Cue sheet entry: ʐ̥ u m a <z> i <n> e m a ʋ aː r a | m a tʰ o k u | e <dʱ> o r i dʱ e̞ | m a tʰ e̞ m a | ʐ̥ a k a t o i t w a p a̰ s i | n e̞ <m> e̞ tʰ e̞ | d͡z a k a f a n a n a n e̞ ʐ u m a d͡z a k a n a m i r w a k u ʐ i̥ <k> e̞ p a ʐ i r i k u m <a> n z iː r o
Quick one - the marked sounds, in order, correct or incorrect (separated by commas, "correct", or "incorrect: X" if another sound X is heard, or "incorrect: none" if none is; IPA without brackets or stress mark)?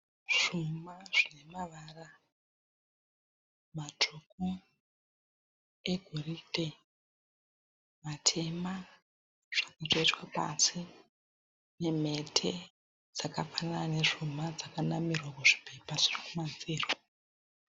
incorrect: ʐ, correct, incorrect: ɡʱ, correct, incorrect: p, correct